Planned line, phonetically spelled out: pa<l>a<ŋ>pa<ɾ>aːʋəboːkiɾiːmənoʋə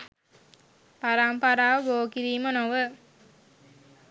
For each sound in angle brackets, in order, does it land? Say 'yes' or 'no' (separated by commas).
no, no, yes